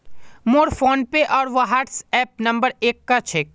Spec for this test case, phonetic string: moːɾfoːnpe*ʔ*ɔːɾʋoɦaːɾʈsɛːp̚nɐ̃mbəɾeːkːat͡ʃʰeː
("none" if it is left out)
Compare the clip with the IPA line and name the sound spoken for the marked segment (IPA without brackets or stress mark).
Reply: ʔ